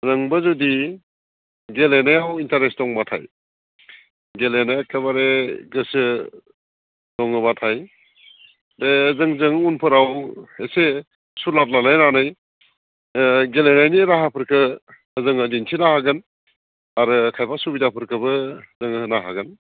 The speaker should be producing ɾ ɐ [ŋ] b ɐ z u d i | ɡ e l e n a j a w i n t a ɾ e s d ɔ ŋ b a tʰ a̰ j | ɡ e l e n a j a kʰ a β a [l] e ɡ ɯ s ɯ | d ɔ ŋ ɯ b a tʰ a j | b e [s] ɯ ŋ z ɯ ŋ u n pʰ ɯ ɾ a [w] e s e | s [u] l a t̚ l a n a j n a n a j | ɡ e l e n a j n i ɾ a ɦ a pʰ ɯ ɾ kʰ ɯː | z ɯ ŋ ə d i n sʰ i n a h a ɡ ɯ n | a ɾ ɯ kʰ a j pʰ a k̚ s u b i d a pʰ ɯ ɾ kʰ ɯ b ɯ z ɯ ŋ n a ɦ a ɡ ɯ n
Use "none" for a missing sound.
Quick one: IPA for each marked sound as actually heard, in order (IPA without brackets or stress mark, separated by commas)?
ŋ, ɾ, z, w, u